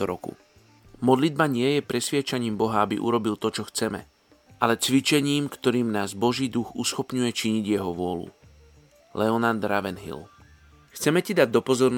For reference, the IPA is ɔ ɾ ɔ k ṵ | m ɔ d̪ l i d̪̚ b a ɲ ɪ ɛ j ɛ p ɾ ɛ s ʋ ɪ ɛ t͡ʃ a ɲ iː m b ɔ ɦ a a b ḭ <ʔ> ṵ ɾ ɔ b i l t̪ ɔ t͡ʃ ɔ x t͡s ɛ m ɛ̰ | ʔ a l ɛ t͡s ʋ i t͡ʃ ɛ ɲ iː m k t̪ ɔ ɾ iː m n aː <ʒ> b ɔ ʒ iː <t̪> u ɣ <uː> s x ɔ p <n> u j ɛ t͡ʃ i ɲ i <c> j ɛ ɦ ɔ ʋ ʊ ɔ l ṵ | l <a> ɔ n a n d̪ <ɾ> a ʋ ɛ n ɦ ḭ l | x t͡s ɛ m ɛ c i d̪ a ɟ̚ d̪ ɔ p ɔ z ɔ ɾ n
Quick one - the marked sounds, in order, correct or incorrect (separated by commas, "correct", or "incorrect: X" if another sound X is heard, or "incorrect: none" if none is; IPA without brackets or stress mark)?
correct, incorrect: z, incorrect: d̪, incorrect: u, incorrect: ɲ, incorrect: ɟ, incorrect: ɛ, correct